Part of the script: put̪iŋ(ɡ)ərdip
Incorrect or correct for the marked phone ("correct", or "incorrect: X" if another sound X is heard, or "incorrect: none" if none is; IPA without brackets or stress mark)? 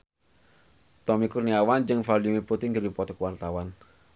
correct